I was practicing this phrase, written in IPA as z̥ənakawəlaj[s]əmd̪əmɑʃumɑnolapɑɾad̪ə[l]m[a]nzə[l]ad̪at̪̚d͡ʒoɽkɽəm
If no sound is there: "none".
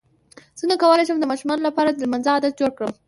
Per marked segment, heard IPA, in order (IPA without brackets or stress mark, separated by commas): ʃ, l, a, none